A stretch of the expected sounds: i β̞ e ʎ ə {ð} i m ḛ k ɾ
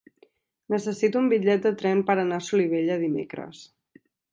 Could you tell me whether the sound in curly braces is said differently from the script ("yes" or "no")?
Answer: no